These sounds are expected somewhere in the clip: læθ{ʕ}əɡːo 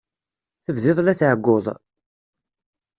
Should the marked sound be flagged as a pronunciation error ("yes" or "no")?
no